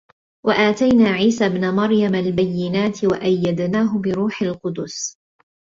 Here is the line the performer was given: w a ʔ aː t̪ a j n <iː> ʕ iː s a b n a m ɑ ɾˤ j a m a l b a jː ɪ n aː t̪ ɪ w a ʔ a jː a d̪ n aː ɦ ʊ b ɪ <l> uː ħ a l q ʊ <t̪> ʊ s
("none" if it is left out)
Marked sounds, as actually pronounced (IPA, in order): aː, ɾ, d̪

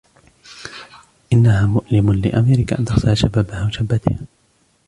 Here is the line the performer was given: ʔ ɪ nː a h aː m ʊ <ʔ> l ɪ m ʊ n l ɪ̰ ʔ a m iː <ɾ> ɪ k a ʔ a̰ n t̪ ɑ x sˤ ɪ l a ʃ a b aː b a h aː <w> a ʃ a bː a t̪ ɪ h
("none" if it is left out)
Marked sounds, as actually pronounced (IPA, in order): ʔ, ɾ, w

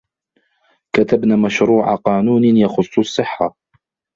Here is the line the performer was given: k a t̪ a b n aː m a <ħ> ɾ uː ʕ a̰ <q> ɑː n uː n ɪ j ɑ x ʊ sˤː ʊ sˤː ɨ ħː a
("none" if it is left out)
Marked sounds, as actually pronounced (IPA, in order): ʃ, q

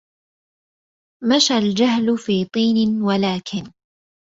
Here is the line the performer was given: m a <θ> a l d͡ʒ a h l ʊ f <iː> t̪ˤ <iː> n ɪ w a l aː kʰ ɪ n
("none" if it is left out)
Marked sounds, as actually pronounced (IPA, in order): ʃ, iː, iː

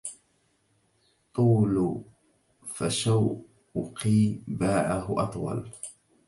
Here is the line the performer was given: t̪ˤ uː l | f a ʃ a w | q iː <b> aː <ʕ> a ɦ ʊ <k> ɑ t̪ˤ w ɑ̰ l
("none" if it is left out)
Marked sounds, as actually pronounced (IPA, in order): b, ʕ, ʔ

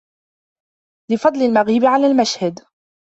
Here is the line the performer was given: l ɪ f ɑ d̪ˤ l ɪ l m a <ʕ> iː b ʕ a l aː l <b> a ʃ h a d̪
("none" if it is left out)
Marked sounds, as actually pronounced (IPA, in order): ɣ, m

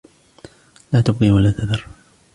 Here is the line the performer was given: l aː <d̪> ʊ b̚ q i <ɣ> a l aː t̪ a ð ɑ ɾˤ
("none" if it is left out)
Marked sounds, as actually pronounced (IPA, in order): t̪, w

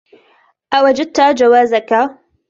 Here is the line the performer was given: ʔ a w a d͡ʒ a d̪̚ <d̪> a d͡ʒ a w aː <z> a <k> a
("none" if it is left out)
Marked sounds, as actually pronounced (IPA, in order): t̪, z, k

